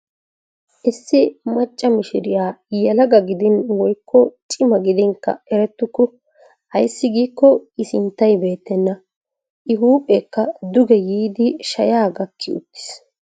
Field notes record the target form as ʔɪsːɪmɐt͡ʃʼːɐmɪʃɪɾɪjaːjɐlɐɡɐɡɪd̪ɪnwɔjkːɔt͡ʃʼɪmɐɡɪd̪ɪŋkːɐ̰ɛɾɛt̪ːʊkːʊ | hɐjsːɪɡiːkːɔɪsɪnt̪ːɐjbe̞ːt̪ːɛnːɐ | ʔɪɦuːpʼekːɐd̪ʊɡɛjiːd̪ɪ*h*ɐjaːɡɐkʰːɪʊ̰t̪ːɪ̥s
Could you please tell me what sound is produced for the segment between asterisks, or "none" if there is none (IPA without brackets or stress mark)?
ʃ